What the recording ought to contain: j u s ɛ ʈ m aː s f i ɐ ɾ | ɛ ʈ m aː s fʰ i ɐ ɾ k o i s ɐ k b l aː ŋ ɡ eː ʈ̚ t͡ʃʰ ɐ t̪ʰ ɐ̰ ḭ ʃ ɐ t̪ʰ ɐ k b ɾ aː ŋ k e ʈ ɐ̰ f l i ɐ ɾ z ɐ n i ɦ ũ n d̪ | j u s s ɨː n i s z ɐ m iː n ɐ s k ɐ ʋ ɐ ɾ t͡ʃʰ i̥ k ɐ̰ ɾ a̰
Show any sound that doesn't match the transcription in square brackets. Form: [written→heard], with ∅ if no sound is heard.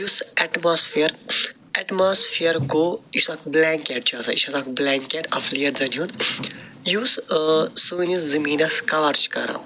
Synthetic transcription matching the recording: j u s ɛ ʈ m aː s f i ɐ ɾ | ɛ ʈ m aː s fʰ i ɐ ɾ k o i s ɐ k b l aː ŋ [ɡ→k] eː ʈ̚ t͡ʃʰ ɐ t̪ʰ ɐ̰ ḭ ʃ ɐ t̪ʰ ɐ k b [ɾ→l] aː ŋ k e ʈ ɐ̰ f l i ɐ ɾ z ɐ n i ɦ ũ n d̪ | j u s s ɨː n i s z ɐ m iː n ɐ s k ɐ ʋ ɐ ɾ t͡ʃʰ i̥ k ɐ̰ ɾ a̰